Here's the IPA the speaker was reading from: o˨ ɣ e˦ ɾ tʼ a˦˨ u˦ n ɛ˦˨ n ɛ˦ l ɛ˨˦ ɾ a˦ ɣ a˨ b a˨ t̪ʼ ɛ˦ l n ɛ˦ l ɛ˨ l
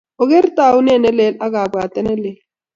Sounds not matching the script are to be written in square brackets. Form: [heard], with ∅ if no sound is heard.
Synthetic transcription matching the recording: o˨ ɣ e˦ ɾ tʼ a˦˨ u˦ n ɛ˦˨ n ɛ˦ l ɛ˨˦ [l] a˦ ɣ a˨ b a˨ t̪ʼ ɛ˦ [∅] n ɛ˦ l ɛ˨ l